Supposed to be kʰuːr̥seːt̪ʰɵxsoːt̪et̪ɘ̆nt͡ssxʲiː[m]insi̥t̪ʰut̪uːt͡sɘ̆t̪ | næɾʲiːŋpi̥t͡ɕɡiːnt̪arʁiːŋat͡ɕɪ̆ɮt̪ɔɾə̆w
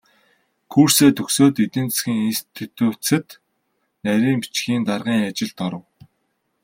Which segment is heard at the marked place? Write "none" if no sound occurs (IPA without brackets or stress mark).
ŋ